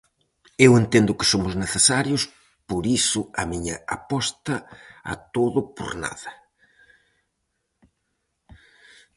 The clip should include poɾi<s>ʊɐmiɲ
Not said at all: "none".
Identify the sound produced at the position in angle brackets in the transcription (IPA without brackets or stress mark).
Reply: s